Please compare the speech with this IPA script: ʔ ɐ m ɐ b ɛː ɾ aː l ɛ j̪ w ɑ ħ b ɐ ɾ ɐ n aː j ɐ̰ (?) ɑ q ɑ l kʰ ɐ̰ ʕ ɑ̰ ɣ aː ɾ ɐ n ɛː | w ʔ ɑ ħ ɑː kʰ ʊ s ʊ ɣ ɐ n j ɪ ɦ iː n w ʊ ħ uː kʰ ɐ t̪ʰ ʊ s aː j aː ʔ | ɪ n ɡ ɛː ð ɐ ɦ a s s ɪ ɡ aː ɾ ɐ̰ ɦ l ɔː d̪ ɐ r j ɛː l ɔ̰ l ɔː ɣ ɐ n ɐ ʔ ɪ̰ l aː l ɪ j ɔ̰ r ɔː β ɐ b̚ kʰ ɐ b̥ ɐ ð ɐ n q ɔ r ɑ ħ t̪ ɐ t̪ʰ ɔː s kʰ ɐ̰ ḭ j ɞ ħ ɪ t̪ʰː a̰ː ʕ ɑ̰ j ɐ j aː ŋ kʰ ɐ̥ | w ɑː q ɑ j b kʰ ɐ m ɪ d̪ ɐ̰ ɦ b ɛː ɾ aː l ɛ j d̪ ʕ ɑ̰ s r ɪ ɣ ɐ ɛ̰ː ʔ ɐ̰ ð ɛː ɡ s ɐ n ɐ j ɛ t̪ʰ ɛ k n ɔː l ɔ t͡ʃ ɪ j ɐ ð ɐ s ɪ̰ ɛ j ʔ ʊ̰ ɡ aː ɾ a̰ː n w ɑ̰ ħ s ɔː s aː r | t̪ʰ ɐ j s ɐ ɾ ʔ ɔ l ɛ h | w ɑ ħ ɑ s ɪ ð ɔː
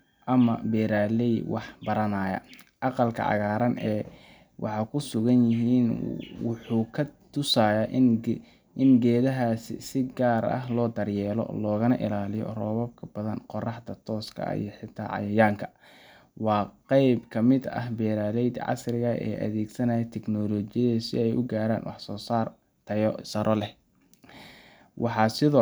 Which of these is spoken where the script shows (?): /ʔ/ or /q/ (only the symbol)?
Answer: ʔ